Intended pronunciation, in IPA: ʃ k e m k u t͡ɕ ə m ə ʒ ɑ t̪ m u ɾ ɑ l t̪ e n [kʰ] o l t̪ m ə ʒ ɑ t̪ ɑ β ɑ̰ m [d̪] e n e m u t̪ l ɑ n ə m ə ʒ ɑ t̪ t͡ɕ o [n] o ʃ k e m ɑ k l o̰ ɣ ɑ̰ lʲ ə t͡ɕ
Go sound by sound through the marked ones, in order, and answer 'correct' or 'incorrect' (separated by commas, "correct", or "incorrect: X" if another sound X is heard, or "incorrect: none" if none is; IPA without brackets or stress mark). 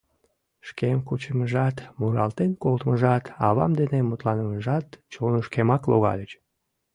incorrect: k, correct, correct